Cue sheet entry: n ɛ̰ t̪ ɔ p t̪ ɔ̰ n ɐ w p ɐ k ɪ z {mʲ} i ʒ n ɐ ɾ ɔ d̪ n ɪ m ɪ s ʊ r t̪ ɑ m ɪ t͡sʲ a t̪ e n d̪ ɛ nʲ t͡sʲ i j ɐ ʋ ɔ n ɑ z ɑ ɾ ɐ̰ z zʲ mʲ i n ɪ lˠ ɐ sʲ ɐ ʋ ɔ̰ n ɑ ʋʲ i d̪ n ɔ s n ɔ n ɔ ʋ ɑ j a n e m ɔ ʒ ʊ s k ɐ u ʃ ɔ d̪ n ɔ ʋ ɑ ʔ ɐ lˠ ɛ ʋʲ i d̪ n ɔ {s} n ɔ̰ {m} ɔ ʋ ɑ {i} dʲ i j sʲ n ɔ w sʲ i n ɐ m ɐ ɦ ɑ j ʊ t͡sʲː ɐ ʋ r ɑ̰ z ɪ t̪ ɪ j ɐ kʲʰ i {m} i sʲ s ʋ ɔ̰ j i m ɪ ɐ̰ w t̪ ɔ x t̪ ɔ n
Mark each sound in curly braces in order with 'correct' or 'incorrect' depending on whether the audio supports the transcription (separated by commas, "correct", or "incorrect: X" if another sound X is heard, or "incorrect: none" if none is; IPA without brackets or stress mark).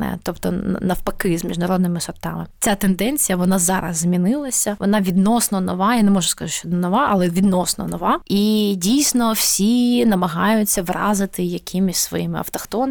correct, correct, incorrect: n, correct, correct